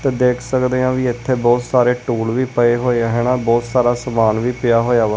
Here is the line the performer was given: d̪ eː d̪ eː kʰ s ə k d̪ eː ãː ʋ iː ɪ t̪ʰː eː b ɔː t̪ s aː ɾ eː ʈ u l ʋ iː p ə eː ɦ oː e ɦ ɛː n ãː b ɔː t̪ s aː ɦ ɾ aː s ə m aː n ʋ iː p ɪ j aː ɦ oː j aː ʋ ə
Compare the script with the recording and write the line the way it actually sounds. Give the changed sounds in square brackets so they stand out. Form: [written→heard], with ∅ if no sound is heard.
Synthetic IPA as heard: [d̪→t̪] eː d̪ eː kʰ s ə k d̪ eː ãː ʋ iː ɪ t̪ʰː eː b ɔː t̪ s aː ɾ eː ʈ [u→uː] l ʋ iː p ə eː ɦ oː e ɦ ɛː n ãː b ɔː t̪ s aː [ɦ→∅] ɾ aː s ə m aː n ʋ iː p ɪ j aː ɦ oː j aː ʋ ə